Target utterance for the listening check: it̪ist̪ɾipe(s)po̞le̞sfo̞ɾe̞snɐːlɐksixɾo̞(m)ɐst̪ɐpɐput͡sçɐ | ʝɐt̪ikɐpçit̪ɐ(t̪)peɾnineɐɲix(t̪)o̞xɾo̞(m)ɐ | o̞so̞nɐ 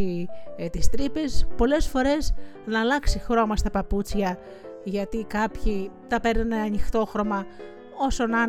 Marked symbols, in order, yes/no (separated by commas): yes, yes, no, yes, yes